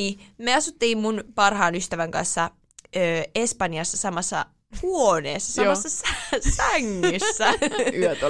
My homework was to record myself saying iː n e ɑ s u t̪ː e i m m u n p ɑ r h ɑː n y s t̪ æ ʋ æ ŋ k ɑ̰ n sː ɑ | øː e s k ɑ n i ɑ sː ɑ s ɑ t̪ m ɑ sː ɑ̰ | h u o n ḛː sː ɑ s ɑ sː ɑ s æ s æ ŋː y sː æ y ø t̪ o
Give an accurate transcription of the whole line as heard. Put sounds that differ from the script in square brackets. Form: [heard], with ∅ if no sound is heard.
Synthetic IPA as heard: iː [m] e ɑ s u t̪ː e i m m u n p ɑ r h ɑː n y s t̪ æ ʋ æ ŋ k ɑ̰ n sː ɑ | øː e s [p] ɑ n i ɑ sː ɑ s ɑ [∅] m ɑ sː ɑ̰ | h u o n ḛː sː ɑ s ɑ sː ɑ s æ s æ ŋː y sː æ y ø t̪ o